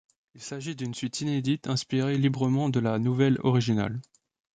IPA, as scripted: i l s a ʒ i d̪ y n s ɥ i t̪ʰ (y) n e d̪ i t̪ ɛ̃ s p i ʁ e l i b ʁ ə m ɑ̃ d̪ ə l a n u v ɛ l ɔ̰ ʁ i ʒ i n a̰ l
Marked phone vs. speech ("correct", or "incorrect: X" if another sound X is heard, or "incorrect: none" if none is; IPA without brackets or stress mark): incorrect: i